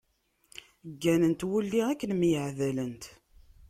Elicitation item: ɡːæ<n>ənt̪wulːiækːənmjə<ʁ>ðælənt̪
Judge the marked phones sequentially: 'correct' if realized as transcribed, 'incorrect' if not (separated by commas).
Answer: correct, incorrect